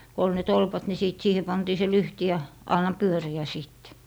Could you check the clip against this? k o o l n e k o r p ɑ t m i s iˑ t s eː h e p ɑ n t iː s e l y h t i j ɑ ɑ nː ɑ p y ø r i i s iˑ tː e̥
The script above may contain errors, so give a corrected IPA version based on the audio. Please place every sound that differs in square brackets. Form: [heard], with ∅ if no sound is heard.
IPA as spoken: k o o l n e [t] o [l] p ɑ t [n] i s iˑ t s [iː] h e p ɑ n t iː s e l y h t i j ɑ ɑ nː ɑ p y ø r i [æ] s iˑ tː e̥